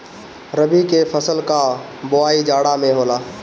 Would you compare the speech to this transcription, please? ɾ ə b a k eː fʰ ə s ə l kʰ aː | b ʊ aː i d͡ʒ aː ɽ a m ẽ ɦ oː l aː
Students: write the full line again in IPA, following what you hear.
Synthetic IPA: ɾ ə b i k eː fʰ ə s ə l k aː | b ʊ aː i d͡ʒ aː ɽ a m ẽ ɦ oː l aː